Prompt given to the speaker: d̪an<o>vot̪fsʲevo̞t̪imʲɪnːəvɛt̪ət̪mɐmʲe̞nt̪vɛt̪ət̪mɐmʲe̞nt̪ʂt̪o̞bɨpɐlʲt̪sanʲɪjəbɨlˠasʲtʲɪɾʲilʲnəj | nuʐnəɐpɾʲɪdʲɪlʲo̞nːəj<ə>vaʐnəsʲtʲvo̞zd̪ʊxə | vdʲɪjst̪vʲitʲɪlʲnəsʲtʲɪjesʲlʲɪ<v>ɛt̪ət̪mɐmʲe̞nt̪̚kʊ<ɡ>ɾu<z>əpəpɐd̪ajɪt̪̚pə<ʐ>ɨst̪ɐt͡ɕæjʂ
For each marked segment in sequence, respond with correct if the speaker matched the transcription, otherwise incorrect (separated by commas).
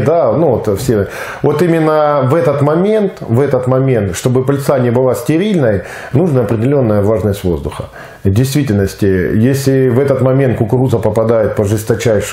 incorrect, correct, correct, incorrect, correct, correct